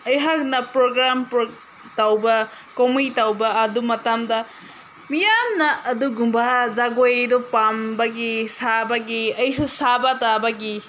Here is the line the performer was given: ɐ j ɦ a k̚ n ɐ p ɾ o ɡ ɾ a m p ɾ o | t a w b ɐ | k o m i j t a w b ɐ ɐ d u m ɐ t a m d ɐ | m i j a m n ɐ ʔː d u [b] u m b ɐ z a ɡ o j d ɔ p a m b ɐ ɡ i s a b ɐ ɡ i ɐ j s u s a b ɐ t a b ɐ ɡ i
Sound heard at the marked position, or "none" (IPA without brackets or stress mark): ɡ